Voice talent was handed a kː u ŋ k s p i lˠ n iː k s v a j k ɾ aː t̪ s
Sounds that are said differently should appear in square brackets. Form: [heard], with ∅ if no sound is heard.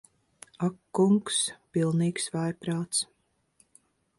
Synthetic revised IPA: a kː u ŋ k s p i lˠ n iː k s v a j [p] ɾ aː t̪ s